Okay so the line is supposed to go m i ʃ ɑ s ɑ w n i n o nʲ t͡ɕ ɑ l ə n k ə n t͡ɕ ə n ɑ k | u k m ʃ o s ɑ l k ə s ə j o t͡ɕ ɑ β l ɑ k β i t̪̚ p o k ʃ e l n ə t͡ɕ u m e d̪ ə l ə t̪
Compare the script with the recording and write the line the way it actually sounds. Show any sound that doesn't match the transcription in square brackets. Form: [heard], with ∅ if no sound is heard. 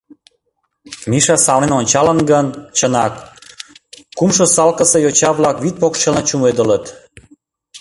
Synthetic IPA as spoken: m i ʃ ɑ s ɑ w n [e] n o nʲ t͡ɕ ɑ l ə n [ɡ] ə n t͡ɕ ə n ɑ k | u [∅] m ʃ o s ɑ l k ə s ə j o t͡ɕ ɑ β l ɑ k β i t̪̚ p o k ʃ e l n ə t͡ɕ u m e d̪ ə l ə t̪